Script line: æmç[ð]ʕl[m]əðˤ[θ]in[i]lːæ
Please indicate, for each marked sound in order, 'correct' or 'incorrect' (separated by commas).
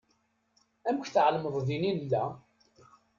incorrect, correct, incorrect, correct